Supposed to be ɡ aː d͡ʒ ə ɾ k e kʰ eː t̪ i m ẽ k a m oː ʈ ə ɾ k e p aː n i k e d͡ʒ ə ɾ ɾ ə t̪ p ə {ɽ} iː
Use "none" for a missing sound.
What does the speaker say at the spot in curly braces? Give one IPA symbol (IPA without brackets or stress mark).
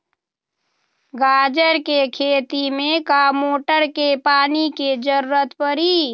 ɾ